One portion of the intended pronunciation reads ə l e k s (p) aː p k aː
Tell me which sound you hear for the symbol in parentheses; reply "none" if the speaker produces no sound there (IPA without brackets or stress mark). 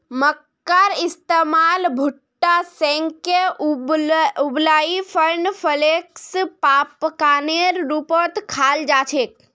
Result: p